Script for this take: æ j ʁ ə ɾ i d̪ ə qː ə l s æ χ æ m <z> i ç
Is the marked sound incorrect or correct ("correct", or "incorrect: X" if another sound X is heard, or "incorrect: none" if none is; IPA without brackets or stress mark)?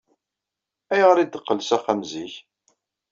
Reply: correct